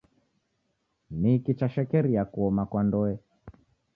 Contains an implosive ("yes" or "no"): no